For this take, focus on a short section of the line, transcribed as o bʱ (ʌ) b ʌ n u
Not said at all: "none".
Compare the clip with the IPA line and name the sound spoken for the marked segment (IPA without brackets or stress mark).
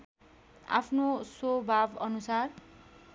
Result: a